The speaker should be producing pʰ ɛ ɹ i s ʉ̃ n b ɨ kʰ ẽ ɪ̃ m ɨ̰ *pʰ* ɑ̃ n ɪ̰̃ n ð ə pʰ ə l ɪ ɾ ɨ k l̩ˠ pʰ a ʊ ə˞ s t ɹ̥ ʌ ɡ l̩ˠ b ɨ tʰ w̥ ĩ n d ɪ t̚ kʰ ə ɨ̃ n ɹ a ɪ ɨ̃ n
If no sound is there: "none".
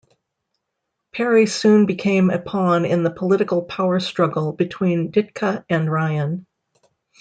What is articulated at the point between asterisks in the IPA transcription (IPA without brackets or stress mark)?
pʰ